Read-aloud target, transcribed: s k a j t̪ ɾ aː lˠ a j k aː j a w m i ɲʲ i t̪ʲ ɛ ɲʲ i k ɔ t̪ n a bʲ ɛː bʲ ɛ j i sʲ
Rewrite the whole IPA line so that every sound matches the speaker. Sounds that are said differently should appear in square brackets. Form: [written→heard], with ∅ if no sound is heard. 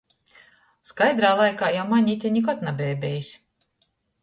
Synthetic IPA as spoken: s k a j [t̪→d̪] ɾ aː lˠ a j k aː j a w m [i→a] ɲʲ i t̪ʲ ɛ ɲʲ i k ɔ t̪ n a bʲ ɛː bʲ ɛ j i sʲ